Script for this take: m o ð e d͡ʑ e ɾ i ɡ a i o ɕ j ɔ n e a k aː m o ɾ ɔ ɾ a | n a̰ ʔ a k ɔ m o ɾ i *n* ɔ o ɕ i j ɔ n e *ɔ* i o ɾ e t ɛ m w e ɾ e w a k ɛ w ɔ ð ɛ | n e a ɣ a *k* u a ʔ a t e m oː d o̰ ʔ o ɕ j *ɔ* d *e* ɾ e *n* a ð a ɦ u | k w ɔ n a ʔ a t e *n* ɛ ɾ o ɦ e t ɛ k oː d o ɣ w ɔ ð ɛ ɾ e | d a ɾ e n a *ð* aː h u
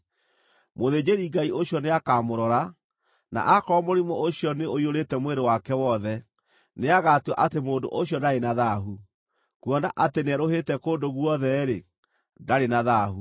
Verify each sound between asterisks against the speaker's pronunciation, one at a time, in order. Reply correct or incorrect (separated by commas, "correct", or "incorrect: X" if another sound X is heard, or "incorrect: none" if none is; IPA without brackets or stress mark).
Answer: incorrect: m, incorrect: o, incorrect: t, correct, incorrect: a, correct, correct, correct